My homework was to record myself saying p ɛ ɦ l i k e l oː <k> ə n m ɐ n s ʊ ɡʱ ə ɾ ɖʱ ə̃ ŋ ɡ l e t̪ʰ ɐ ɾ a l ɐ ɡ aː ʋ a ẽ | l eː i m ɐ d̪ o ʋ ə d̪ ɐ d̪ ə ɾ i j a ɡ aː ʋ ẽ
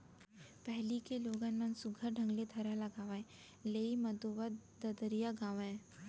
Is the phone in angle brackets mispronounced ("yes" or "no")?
yes